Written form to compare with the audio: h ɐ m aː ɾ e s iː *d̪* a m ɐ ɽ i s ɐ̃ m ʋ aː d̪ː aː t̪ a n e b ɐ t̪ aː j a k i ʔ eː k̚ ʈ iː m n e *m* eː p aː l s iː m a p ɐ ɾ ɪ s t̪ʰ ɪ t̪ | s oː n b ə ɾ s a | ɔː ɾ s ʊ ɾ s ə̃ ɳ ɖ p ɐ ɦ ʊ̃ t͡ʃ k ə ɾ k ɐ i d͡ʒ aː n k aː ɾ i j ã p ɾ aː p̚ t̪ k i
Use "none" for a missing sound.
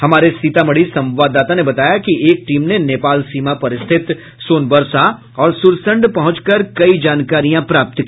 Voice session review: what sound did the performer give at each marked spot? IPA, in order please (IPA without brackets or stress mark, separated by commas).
t̪, n